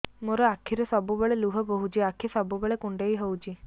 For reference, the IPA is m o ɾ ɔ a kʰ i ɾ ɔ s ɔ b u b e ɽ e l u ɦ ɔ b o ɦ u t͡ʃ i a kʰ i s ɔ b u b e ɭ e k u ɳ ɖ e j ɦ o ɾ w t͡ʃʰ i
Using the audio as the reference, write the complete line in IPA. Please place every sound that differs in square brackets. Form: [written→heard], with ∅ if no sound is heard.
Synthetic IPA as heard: m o ɾ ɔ a kʰ i ɾ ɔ s ɔ b u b e [ɽ→ɭ] e l u ɦ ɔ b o ɦ u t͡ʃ i a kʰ i s ɔ b u b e ɭ e k u ɳ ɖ e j ɦ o [ɾ→∅] w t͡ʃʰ i